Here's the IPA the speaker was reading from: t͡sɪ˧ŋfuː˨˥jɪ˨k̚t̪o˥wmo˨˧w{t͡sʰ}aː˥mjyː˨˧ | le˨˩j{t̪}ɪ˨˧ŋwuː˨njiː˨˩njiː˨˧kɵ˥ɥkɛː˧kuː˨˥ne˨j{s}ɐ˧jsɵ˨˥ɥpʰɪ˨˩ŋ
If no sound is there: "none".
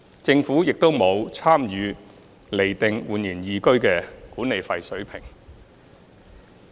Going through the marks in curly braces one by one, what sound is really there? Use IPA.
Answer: t͡sʰ, t̪, f

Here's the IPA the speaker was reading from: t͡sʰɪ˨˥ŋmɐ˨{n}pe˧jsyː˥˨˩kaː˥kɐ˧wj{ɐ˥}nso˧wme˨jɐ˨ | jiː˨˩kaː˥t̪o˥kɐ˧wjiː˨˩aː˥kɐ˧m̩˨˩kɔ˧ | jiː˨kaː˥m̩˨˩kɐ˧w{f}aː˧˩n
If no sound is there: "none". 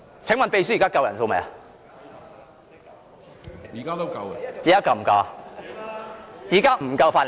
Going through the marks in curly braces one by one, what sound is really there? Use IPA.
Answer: n, ɐ˨˩, f

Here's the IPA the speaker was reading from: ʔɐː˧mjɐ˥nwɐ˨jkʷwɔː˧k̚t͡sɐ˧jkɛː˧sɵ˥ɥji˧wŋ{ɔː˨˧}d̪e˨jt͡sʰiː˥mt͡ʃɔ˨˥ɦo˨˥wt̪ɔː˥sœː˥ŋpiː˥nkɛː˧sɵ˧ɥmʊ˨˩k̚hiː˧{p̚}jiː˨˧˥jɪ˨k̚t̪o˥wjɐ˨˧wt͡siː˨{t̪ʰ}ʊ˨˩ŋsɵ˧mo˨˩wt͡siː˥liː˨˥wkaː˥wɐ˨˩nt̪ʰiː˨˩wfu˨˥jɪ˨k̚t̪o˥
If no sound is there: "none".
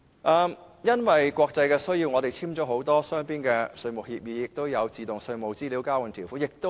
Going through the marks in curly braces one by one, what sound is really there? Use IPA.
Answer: ɔ˨˧, p̚, t̪

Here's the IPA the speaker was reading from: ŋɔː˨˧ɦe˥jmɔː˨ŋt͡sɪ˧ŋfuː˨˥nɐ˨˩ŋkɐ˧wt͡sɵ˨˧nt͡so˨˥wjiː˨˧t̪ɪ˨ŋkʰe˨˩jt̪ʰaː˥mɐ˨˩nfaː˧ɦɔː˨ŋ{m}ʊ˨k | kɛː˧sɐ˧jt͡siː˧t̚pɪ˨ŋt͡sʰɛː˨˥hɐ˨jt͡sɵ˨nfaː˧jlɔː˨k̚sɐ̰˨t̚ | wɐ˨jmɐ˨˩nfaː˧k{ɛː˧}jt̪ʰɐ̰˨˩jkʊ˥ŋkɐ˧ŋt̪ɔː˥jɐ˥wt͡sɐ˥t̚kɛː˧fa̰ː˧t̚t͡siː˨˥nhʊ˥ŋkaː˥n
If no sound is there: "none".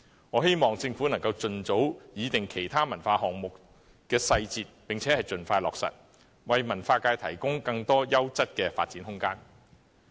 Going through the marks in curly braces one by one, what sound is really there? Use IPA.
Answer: m, aː˧

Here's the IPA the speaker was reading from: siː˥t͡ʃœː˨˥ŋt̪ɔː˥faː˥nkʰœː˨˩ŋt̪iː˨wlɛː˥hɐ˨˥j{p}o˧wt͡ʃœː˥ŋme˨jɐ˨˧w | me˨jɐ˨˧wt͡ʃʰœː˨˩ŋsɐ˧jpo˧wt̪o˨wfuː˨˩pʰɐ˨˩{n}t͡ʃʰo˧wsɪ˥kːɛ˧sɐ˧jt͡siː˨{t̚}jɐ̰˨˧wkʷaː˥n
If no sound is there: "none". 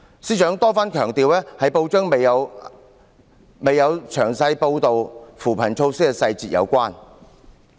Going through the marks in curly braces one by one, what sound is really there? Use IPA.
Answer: p, n, t̚

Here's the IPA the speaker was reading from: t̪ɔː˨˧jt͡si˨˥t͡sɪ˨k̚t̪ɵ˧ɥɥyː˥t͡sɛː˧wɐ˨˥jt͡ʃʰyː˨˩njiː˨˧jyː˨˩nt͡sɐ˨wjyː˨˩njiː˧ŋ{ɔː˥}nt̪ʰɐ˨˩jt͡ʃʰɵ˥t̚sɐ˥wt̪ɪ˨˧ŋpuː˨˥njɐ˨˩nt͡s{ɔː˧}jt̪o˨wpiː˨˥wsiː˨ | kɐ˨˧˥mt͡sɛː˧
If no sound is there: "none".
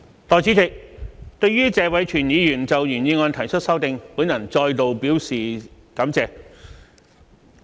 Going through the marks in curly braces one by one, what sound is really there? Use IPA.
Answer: ɔː˧, ɔː˧

